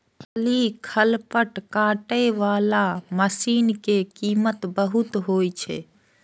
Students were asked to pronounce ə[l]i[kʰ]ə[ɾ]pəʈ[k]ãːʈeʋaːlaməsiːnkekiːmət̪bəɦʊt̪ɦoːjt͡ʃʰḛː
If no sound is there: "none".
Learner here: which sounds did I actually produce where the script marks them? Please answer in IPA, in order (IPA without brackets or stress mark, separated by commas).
l, kʰ, l, k